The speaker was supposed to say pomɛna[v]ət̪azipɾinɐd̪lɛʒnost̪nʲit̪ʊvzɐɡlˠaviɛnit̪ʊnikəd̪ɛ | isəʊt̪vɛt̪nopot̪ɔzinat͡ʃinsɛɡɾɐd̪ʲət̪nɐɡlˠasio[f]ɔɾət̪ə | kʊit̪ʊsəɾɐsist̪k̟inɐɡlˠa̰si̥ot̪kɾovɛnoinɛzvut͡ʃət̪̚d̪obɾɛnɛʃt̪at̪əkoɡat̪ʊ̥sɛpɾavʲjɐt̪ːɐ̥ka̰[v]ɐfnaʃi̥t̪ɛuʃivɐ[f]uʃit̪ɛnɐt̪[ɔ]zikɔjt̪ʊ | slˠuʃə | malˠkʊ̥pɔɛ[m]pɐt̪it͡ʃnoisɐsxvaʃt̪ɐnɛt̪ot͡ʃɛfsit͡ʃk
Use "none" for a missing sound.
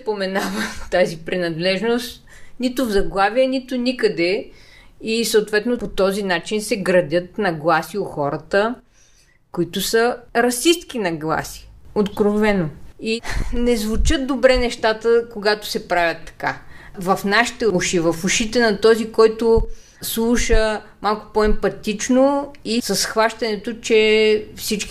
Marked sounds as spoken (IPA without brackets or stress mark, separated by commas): v, x, v, f, ɔ, m